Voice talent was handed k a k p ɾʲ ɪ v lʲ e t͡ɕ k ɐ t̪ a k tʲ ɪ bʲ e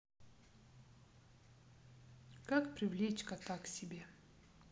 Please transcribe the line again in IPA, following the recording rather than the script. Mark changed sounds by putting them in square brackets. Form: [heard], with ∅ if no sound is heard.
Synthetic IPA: k a k p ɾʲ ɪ v lʲ e t͡ɕ k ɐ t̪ a k [sʲ] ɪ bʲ e